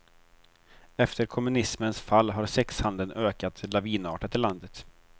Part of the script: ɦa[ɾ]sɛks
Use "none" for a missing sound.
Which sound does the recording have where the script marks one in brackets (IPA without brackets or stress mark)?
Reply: ɾ